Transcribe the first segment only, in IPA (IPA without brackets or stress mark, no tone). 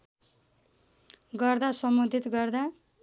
ɡ